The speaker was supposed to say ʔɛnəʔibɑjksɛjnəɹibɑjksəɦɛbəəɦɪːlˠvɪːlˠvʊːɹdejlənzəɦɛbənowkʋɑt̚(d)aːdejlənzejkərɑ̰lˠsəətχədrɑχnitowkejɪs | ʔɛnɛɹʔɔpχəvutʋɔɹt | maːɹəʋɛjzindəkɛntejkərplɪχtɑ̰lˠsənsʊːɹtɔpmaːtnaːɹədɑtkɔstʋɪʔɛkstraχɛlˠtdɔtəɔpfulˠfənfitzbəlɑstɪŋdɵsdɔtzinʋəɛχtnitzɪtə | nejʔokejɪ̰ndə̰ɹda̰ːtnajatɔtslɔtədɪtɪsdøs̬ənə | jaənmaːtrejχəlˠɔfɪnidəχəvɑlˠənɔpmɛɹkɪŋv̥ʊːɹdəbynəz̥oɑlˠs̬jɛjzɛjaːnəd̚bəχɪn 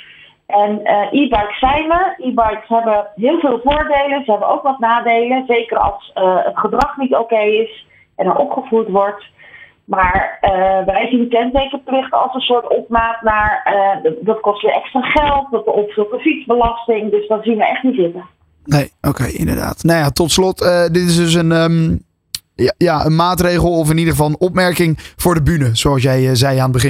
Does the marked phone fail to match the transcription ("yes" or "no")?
yes